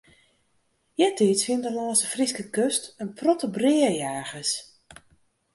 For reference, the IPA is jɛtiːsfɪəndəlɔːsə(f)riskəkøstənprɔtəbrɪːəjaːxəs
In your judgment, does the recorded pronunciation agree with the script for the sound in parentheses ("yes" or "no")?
yes